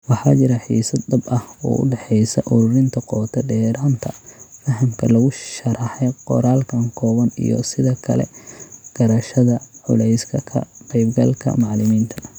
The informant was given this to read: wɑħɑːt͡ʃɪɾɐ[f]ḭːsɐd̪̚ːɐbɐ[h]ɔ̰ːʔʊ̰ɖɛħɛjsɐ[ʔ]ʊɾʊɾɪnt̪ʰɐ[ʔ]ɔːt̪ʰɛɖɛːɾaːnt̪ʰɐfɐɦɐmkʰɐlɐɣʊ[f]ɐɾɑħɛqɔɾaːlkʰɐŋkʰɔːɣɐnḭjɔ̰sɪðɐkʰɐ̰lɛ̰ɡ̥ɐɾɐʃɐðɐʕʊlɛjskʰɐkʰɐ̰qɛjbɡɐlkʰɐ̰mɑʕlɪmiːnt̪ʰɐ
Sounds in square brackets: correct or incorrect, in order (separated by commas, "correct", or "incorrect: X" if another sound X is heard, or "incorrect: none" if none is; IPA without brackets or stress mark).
incorrect: ħ, correct, correct, incorrect: q, incorrect: ʃ